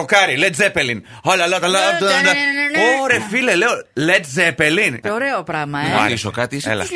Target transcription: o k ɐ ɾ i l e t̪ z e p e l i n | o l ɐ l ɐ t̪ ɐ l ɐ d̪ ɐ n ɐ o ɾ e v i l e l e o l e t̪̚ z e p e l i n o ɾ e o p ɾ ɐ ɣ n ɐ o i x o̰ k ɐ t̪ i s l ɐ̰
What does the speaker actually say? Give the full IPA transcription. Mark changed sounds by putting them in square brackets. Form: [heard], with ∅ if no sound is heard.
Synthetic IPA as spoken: o k ɐ ɾ i l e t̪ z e p e l i n | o l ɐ l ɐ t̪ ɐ l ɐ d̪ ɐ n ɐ o ɾ e [f] i l e l e o l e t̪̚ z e p e l i n o ɾ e o p ɾ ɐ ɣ [m] ɐ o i [s] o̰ k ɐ t̪ i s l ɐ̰